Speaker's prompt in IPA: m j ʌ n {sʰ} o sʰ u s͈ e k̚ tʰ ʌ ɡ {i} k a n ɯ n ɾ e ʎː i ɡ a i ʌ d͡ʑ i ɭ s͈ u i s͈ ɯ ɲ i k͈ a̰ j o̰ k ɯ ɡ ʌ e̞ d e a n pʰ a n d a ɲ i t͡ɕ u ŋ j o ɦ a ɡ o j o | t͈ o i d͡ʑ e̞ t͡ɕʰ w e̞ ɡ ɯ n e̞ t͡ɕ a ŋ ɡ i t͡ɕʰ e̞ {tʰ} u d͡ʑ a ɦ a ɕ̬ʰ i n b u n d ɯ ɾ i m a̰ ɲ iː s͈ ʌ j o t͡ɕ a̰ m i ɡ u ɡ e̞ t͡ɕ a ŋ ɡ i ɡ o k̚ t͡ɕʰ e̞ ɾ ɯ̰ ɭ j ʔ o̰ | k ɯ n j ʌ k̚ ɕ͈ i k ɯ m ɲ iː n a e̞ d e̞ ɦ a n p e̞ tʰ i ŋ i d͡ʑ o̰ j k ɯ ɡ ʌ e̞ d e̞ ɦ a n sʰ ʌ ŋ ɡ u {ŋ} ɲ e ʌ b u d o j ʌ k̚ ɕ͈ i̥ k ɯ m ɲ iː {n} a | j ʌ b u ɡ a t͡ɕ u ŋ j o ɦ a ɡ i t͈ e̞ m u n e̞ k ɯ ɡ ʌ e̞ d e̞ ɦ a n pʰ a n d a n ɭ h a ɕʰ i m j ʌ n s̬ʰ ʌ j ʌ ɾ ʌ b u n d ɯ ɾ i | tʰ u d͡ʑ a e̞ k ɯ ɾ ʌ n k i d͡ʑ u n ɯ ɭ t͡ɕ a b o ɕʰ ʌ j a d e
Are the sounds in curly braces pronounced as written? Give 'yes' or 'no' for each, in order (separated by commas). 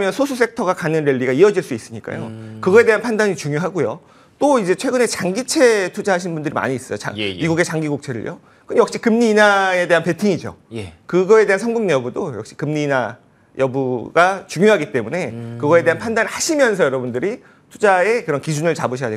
yes, no, yes, yes, yes